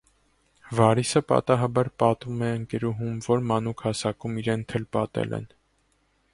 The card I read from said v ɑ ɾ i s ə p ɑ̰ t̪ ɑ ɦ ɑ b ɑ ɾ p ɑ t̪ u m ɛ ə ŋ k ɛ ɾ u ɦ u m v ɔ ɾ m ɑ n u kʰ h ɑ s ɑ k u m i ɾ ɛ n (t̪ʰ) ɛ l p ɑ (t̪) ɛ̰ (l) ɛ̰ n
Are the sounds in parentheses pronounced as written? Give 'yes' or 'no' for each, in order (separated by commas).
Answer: yes, yes, yes